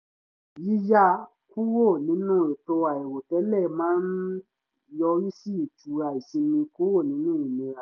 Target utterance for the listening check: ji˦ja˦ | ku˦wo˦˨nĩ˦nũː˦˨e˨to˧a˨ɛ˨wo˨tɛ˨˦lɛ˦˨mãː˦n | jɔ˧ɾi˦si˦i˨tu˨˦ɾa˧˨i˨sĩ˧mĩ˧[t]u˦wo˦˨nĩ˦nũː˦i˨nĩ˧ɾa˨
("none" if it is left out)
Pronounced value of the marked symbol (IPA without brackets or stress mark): k